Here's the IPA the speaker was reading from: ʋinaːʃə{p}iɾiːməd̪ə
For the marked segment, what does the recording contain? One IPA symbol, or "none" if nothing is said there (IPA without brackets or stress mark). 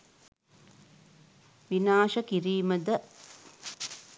k